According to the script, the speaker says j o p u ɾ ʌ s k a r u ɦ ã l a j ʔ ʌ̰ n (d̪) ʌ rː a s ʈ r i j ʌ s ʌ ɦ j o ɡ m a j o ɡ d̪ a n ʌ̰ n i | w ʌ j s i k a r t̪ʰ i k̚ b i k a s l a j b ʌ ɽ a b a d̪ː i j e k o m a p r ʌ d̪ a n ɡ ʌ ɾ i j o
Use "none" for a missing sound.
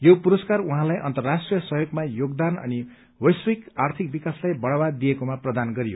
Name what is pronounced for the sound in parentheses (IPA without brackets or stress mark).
t̪